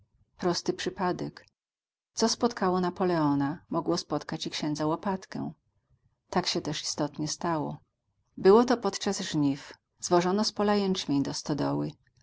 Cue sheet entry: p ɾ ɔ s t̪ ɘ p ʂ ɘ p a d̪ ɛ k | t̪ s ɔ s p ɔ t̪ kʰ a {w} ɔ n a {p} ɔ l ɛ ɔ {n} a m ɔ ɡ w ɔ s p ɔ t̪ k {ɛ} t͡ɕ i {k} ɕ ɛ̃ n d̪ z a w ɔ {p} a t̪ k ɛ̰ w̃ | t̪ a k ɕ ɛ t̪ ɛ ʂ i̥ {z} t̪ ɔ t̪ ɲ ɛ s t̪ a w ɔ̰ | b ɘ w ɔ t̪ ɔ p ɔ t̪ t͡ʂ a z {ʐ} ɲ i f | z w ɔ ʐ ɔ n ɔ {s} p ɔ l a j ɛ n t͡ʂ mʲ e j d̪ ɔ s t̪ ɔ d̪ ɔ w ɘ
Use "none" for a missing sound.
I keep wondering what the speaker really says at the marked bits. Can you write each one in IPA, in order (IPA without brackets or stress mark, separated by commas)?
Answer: w, p, n, a, k, p, s, ʐ, s